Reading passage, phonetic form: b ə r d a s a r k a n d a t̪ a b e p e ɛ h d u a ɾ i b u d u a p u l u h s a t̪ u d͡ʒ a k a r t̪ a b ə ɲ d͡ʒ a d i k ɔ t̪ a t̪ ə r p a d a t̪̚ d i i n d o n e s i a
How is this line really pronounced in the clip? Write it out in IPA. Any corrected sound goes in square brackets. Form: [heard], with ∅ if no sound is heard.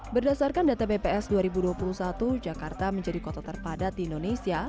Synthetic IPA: b ə r d a s a r k a n d a t̪ a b e p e ɛ [s] d u a ɾ i b u d u a p u l u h s a t̪ u d͡ʒ a k a r t̪ a [m] ə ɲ d͡ʒ a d i k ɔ t̪ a t̪ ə r p a d a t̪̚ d i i n d o n e s i a

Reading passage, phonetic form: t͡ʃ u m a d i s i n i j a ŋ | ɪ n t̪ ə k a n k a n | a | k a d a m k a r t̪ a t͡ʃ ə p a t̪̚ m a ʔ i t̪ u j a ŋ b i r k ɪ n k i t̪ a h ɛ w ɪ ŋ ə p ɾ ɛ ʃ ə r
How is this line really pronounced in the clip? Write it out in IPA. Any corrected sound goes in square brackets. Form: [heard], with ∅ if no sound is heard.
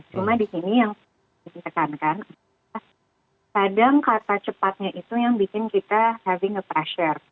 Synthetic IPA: t͡ʃ u m a d i s i n i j a ŋ | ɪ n t̪ ə k a n k a n | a | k a d a [ŋ] k a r t̪ a t͡ʃ ə p a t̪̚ [ɲ] a ʔ i t̪ u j a ŋ b i [∅] k ɪ n k i t̪ a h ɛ [v] ɪ ŋ ə p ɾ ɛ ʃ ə r

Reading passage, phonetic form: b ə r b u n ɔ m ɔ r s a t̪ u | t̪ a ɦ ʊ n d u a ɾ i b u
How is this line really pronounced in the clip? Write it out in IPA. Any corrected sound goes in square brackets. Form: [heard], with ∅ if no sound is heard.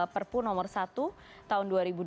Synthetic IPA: [p] ə r [p] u n ɔ m ɔ r s a t̪ u | t̪ a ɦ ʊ n d u a ɾ i b u

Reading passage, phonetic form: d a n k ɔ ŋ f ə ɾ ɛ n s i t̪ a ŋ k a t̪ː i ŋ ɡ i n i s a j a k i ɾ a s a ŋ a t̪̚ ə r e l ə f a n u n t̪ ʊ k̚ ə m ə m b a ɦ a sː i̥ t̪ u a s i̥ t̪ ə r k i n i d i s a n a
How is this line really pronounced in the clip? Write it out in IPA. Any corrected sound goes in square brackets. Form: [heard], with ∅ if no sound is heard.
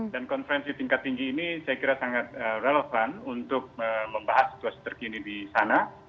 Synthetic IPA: d a n k ɔ [n] f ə ɾ ɛ n s i t̪ [i] ŋ k a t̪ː i ŋ ɡ [iː] n i s a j a k i ɾ a s a ŋ a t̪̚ ə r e l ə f a n u n t̪ ʊ k̚ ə m ə m b a ɦ a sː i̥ t̪ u a s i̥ t̪ ə r k i n i d i s a n a

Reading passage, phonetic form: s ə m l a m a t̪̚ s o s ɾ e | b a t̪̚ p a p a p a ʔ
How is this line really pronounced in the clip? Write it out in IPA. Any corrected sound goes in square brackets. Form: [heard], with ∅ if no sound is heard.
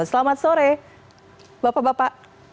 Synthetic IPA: s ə [∅] l a m a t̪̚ s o [∅] ɾ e | b a [∅] p a [b] a p a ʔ

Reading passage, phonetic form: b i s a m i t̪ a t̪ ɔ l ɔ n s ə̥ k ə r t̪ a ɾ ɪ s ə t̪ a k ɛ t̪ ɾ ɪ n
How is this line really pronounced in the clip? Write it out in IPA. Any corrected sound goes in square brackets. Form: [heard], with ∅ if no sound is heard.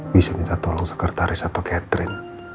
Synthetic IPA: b i s a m i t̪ a t̪ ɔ l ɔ [ŋ] s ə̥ k ə r t̪ a ɾ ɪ s [a] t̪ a k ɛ t̪ ɾ ɪ n

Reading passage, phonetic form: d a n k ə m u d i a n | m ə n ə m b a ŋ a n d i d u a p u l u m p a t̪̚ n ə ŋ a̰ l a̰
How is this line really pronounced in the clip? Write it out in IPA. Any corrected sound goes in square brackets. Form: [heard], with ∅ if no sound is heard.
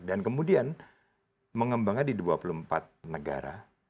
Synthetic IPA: d a n k ə m u d i a n | m ə [ŋ] ə m b a ŋ a n d i d u a p u l u m p a t̪̚ n ə [ɡ] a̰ [ɾ] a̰

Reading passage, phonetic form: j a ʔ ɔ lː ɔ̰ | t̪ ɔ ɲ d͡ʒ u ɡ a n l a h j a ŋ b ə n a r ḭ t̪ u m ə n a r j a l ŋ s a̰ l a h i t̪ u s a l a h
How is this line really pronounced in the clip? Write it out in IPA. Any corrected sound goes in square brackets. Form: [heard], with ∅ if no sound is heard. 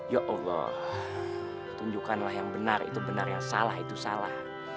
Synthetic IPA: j a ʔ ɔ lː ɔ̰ | t̪ [u] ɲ d͡ʒ u [k] a n l a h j a ŋ b ə n a r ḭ t̪ u [b] ə n a r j a [∅] ŋ s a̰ l a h i t̪ u s a l a h

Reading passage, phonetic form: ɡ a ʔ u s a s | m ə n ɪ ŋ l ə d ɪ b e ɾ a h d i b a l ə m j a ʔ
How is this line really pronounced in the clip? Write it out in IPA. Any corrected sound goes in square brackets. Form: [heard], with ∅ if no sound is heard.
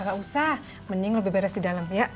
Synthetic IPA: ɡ a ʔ u s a [h] | m ə n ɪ ŋ l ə [b] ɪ b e ɾ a [s] d i [d] a l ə m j a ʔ

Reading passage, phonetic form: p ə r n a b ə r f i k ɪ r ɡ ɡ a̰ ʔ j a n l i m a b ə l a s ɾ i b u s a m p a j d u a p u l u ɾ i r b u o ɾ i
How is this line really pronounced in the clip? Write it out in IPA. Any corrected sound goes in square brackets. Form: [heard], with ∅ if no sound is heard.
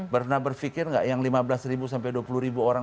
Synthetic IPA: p ə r n a b ə r f i k ɪ r [ŋ] ɡ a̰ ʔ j a [ŋ] l i m a b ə l a s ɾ i b u s a m p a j d u a p u l u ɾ i [∅] b u o ɾ [a]

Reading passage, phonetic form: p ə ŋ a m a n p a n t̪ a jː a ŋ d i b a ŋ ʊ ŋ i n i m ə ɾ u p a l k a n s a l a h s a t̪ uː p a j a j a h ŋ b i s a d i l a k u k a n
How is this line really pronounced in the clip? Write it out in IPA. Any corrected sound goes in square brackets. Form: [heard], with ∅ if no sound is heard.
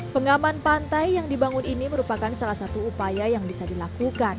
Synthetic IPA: p ə ŋ a m a n p a n t̪ a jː a ŋ d i b a ŋ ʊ [n] i n i m ə ɾ u p a [∅] k a n s a l a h s a t̪ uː p a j a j a [∅] ŋ b i s a d i l a k u k a n

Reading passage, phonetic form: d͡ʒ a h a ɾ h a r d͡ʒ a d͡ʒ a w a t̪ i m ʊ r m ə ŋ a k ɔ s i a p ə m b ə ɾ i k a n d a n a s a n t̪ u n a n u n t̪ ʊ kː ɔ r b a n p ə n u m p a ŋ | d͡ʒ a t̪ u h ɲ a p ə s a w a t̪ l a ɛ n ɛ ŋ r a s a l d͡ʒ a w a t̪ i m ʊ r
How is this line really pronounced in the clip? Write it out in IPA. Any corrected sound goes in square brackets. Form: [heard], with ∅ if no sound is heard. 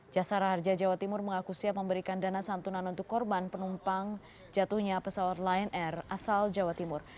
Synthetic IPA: d͡ʒ a [s] a ɾ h a r d͡ʒ a d͡ʒ a w a t̪ i m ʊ r m ə ŋ a k [u] s i a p ə m b ə ɾ i k a n d a n a s a n t̪ u n a n u n t̪ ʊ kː ɔ r b a n p ə n u m p a ŋ | d͡ʒ a t̪ u h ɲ a p ə s a w a t̪ l a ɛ n ɛ [∅] r a s a l d͡ʒ a w a t̪ i m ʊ r

